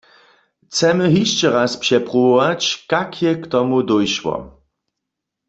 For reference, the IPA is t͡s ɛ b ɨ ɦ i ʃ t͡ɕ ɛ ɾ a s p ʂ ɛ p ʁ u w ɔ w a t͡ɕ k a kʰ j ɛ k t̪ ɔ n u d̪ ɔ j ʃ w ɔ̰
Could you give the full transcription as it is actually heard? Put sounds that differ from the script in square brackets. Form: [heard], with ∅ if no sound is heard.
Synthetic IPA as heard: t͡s ɛ [m] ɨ ɦ i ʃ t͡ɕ ɛ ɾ a s p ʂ ɛ p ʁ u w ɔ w a t͡ɕ k a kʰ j ɛ k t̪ ɔ [m] u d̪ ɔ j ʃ w ɔ̰